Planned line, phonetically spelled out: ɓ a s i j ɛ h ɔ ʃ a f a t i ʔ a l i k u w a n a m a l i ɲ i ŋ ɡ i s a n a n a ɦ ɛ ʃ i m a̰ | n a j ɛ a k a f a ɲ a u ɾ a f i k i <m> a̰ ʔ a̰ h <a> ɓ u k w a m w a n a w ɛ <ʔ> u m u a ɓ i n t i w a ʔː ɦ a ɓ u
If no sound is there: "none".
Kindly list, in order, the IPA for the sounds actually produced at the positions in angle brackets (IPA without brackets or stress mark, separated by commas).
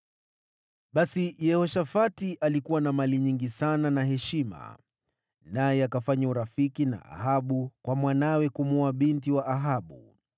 n, a, k